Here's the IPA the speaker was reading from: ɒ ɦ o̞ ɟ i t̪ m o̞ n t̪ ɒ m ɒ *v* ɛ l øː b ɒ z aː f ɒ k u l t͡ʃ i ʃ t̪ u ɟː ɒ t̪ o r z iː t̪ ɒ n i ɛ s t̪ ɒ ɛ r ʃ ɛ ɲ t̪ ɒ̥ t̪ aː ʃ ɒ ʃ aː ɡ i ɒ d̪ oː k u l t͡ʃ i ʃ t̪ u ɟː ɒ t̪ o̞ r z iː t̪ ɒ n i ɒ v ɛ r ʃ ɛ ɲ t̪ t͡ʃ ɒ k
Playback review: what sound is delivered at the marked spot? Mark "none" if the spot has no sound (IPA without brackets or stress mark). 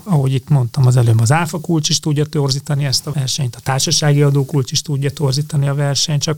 z